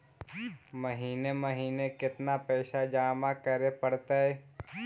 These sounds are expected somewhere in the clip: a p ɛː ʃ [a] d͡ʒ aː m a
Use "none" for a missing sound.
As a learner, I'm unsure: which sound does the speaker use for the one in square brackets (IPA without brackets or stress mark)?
a